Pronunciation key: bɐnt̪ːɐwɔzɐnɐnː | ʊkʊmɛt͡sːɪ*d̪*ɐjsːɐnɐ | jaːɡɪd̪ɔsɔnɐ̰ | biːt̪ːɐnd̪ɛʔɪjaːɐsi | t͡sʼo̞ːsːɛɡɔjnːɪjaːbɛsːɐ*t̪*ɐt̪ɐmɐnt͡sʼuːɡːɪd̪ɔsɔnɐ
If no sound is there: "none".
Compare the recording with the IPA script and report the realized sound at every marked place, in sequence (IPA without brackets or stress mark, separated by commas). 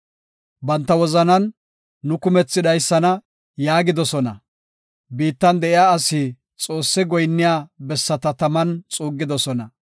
d̪, t̪